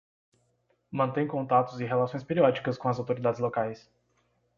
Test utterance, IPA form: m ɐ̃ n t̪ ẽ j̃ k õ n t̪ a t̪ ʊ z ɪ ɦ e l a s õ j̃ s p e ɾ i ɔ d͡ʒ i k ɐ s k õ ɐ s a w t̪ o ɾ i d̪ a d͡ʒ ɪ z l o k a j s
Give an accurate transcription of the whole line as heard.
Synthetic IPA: m ɐ̃ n t̪ ẽ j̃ k õ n t̪ a t̪ ʊ z ɪ ɦ e l a s õ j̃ s p e ɾ i ɔ d͡ʒ i k ɐ s k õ ɐ z a w t̪ o ɾ i d̪ a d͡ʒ ɪ z l o k a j s